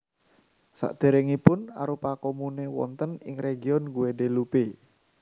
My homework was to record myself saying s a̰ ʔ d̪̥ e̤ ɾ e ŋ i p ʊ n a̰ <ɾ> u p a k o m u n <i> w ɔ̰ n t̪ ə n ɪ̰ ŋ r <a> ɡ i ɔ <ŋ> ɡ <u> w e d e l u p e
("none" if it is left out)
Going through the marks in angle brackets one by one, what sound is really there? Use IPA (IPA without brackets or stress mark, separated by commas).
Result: ɾ, e, e, n, u